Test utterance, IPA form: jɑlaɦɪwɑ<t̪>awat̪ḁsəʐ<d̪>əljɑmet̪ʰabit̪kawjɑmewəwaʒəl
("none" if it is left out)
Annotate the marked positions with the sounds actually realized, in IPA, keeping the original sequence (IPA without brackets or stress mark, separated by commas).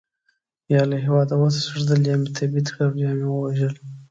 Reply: d̪, d̪